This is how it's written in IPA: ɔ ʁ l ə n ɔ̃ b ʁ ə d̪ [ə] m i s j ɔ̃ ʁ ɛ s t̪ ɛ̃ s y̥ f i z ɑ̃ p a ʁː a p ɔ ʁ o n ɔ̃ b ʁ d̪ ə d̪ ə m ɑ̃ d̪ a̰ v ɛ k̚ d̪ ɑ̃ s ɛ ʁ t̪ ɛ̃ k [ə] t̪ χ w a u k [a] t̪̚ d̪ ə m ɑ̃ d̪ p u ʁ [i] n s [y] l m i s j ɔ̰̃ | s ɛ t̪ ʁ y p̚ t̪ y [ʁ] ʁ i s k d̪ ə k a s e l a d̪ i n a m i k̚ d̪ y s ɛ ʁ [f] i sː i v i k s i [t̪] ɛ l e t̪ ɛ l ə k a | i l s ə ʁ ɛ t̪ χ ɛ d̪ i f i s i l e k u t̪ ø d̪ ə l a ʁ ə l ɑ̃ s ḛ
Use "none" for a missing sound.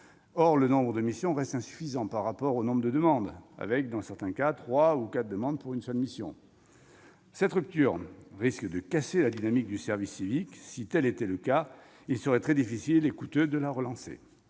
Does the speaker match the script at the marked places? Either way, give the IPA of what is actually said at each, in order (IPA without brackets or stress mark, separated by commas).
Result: ə, a, a, y, œ, ʁ, v, t̪